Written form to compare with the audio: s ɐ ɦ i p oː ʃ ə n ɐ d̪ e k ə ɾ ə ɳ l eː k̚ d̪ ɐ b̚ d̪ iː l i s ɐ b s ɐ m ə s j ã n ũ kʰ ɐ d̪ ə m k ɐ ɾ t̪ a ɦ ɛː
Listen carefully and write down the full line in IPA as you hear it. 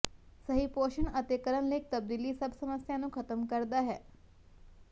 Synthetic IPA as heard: s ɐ ɦ i p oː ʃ ə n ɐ t̪ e k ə ɾ ə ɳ l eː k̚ t̪ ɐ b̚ d̪ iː l i s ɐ b s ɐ m ə s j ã n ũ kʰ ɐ t̪ ə m k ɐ ɾ d̪ a ɦ ɛː